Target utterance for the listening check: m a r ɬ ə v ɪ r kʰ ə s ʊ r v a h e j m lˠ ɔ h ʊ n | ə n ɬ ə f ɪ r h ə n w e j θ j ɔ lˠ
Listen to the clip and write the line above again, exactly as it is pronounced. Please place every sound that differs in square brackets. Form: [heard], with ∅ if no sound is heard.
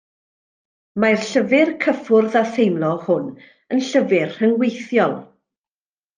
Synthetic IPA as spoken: m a r ɬ ə v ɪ r kʰ ə [f] ʊ r [ð] a [θ] e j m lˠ ɔ h ʊ n | ə n ɬ ə [v] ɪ r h ə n w e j θ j ɔ lˠ